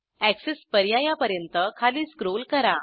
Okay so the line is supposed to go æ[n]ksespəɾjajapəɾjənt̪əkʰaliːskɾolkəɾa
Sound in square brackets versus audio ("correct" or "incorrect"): incorrect